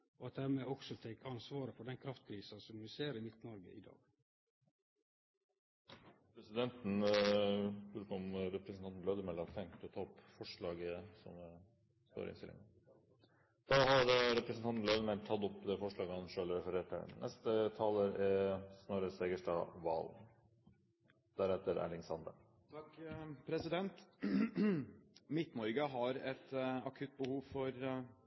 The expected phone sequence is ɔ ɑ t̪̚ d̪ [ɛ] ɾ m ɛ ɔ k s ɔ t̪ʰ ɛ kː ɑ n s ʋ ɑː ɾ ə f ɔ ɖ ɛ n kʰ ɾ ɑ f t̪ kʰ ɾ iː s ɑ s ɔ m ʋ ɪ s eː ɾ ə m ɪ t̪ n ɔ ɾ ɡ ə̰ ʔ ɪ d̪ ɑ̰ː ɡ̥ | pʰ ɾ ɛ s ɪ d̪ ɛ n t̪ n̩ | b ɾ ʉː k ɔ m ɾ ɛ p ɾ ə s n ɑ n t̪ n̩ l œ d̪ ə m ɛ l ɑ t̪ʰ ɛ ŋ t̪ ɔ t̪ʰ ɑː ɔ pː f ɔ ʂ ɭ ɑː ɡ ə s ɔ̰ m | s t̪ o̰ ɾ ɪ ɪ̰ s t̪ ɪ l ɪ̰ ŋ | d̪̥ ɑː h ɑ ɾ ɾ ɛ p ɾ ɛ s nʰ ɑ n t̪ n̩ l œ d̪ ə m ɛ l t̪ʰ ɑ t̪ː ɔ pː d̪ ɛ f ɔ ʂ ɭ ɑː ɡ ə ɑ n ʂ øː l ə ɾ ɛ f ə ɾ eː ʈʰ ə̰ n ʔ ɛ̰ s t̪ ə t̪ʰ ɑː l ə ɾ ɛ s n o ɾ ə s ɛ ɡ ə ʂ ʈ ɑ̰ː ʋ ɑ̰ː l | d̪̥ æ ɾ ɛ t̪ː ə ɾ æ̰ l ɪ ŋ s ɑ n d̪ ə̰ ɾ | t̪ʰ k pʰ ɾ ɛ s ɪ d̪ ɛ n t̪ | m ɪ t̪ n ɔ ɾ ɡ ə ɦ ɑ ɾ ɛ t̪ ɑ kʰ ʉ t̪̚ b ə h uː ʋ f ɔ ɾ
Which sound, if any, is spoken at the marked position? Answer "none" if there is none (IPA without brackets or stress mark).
æ